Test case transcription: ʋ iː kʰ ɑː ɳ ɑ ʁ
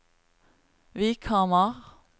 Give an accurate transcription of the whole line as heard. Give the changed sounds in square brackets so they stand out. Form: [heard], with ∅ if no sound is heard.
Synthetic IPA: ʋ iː kʰ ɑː [m] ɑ ʁ